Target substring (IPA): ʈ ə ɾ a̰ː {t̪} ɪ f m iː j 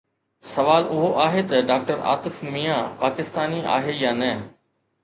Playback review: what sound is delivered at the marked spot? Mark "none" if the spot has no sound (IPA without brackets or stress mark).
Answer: t̪